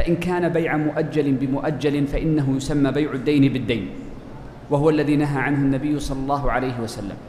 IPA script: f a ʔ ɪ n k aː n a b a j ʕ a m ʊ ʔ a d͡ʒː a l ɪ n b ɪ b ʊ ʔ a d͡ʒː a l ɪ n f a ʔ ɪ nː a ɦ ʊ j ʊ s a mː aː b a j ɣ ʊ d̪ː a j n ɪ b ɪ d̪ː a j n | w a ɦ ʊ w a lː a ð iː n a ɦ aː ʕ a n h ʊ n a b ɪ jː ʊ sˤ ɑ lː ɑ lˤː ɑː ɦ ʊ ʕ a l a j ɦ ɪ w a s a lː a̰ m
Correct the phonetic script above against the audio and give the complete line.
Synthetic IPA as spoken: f a ʔ ɪ n k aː n a b a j ʕ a m ʊ ʔ a d͡ʒː a l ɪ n b ɪ m ʊ ʔ a d͡ʒː a l ɪ n f a ʔ ɪ nː a ɦ ʊ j ʊ s a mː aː b a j ʕ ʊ d̪ː a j n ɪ b ɪ d̪ː a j n | w a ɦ ʊ w a lː a ð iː n a ɦ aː ʕ a n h ʊ nː a b ɪ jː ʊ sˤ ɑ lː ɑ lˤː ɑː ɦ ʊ ʕ a l a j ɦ ɪ w a s a lː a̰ m